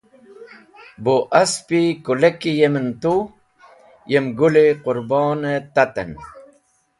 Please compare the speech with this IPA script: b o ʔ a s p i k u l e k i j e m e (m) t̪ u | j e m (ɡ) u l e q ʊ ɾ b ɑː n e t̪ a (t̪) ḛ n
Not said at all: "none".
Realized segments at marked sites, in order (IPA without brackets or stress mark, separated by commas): n, ɡ, t̪